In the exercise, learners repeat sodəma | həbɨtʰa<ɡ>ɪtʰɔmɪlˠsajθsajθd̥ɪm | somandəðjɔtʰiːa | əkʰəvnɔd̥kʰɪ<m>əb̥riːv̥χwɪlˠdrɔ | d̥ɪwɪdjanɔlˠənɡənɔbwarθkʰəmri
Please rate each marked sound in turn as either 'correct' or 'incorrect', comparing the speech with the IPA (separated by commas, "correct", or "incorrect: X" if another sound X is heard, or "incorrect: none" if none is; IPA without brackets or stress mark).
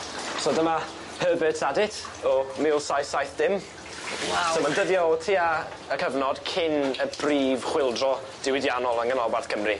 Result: incorrect: d, incorrect: n